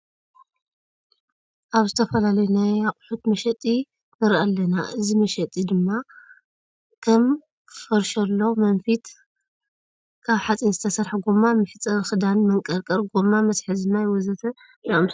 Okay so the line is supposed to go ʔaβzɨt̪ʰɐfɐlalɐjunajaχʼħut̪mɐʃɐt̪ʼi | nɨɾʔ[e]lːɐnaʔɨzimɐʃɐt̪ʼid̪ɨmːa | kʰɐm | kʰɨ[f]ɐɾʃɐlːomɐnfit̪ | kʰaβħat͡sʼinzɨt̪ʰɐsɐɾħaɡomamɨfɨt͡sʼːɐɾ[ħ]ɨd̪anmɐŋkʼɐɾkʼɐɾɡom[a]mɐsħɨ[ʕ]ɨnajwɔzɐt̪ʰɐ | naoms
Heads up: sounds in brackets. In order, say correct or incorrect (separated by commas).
incorrect, correct, incorrect, correct, incorrect